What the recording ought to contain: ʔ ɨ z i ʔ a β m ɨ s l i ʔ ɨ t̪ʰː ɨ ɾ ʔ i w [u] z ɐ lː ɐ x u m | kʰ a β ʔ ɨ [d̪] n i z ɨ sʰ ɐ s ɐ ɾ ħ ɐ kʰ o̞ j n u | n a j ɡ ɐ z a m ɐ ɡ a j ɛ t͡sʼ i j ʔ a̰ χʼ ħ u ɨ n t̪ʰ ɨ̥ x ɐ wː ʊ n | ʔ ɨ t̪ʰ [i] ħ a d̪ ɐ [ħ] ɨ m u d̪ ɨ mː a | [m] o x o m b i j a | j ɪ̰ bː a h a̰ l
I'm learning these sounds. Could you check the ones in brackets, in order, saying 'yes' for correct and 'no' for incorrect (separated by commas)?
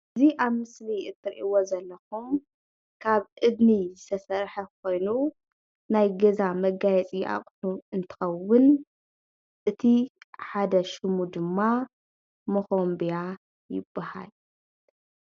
no, yes, yes, no, yes